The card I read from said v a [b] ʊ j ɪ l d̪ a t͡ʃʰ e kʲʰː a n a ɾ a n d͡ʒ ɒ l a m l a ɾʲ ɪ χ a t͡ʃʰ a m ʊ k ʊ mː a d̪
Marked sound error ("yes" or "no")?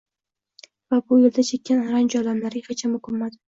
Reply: no